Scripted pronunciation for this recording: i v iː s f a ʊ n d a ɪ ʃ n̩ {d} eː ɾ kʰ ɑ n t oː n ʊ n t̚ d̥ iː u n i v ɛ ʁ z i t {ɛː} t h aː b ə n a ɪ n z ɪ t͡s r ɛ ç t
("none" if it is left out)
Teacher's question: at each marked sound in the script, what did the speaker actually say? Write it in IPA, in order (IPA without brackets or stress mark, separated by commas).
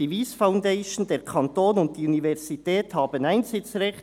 d, ɛː